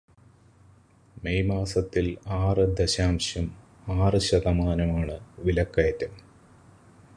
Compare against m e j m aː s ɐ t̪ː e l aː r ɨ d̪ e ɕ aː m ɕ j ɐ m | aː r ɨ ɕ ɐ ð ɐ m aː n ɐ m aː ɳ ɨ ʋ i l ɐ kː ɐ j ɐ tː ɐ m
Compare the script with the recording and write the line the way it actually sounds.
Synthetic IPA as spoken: m e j m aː s ɐ t̪ː i l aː r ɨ d̪ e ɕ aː m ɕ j ɐ m | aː r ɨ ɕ ɐ ð ɐ m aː n ɐ m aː ɳ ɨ ʋ i l ɐ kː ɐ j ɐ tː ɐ m